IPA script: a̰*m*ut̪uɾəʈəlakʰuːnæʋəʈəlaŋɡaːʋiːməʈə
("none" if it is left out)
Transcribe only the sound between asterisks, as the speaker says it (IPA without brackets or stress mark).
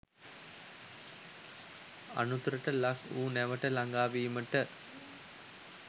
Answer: n